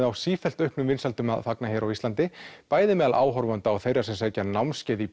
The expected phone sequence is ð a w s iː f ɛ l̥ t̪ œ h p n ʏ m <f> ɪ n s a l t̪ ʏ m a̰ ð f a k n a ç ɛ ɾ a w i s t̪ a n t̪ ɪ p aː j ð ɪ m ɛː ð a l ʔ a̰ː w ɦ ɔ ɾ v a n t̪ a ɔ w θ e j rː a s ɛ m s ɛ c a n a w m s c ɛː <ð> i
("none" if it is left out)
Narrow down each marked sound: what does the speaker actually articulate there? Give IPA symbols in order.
v, ð

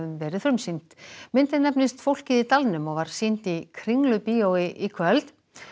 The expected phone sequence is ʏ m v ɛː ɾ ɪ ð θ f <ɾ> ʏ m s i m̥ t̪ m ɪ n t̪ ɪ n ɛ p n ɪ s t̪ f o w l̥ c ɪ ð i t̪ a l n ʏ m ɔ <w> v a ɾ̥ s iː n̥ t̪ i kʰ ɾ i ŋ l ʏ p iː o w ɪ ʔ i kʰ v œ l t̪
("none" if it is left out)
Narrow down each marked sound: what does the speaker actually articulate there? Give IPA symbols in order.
ɾ, ɣ

